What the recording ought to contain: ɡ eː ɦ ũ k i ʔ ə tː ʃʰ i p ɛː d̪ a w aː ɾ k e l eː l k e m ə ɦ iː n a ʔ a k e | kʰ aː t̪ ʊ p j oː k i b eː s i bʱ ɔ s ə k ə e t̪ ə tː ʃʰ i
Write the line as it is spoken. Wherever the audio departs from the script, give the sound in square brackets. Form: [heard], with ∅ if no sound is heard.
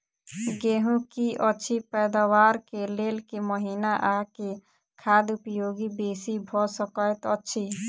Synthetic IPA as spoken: ɡ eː ɦ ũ k i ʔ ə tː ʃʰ i p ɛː d̪ a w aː ɾ k e l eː l k e m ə ɦ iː n a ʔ a k e | kʰ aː [d̪] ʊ p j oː [ɡ] i b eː s i bʱ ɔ s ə k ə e t̪ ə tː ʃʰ i